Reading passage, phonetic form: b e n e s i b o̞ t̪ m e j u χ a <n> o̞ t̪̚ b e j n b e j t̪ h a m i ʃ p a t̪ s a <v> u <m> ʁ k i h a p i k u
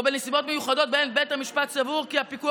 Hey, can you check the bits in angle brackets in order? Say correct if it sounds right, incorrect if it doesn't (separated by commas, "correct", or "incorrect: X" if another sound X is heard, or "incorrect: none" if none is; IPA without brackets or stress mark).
incorrect: d, correct, incorrect: none